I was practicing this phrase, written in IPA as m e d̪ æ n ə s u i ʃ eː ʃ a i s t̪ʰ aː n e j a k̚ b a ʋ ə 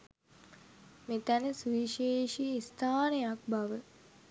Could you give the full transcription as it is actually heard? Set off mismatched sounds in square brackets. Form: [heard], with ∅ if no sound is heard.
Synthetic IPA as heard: m e [t̪] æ n ə s u i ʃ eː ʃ [i] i s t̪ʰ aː n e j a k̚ b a ʋ ə